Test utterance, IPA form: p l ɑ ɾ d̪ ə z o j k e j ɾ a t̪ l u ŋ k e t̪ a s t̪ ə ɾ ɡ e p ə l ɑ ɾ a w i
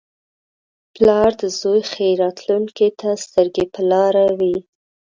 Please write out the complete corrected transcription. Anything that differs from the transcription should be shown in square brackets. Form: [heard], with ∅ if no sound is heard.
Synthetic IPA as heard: p l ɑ ɾ d̪ ə z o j [x] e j ɾ [ɑ] t̪ l u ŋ k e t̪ a s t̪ ə ɾ ɡ e p ə l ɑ ɾ a w i